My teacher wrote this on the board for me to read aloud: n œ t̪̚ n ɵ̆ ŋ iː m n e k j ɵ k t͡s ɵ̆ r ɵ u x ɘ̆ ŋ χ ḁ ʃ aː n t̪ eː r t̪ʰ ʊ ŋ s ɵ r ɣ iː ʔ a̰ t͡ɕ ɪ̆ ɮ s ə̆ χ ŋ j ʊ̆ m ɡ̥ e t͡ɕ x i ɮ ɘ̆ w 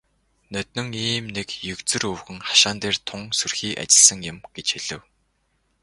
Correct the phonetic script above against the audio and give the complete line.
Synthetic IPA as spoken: n œ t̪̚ n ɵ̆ ŋ iː m n e k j ɵ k t͡s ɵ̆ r ɵ w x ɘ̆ ŋ χ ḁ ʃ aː n t̪ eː r t̪ʰ ʊ ŋ s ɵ r x iː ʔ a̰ t͡ɕ ɪ̆ ɮ s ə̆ ŋ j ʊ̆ m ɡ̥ e t͡ɕ x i ɮ ɘ̆ w

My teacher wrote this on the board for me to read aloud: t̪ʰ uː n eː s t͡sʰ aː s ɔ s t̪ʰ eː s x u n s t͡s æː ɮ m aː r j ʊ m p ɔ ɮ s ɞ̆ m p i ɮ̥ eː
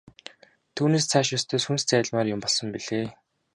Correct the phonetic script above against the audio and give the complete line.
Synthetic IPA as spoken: t̪ʰ uː n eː s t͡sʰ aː ʃ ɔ s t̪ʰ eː s x u n s t͡s æː ɮ m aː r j ʊ m p ɔ ɮ s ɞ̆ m p i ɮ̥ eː

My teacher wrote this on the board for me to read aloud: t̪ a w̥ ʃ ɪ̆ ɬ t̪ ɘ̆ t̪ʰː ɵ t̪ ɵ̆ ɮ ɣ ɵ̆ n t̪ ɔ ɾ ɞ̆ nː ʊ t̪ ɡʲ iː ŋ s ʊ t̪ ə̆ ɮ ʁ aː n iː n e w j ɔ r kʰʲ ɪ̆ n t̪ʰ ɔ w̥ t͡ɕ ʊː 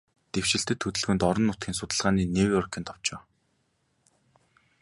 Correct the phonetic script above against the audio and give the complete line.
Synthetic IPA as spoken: t̪ e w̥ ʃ ɪ̆ ɬ t̪ ɘ̆ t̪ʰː ɵ t̪ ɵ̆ ɮ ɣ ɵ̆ n t̪ ɔ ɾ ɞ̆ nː ʊ t̪ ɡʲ iː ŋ s ʊ t̪ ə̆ ɮ ʁ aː n iː n e w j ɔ r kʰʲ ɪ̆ n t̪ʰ ɔ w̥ t͡ɕ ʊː

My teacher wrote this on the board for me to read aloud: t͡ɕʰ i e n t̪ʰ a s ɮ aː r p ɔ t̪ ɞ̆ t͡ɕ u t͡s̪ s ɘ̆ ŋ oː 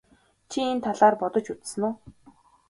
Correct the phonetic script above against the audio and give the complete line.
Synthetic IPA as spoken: t͡ɕʰ i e n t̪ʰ a ɮ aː r p ɔ t̪ ɞ̆ t͡ɕ u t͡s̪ s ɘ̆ n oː

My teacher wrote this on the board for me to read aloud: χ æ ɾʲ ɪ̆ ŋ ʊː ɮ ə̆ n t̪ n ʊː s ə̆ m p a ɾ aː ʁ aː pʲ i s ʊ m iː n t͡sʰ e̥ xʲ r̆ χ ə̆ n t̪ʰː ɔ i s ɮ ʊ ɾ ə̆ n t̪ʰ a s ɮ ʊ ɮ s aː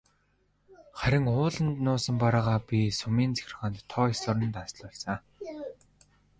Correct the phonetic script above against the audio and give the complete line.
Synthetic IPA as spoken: χ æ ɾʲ ɪ̆ ŋ ʊː ɮ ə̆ n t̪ n ʊː s ə̆ m p a ɾ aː ʁ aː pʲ i s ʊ m iː n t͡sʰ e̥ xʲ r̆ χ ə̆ n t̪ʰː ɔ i s ɮ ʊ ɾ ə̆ n t̪ a s ɮ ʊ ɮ s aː

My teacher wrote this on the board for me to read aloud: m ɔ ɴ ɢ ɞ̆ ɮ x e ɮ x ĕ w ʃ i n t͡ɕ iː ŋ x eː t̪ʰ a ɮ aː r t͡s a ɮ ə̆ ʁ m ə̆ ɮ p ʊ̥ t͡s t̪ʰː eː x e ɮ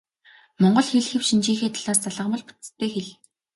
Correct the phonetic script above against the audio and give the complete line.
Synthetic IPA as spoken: m ɔ ɴ ɢ ɞ̆ ɮ x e ɮ x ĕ w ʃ i n t͡ɕ iː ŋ x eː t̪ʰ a ɮ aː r t͡s a ɮ ə̆ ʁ m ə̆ ɮ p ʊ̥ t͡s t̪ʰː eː x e ɮ

